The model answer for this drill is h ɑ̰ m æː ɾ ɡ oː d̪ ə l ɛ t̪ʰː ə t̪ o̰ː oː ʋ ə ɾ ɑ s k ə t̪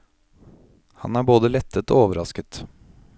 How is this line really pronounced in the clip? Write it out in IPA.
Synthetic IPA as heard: h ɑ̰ n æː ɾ b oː d̪ ə l ɛ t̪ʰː ə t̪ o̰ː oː ʋ ə ɾ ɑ s k ə t̪